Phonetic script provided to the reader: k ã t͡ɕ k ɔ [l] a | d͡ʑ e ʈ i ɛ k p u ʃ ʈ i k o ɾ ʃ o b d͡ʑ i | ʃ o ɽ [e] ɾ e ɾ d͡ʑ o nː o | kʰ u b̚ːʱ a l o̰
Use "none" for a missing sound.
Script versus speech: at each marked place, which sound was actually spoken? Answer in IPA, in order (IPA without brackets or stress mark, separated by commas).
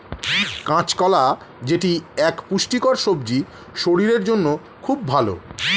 l, i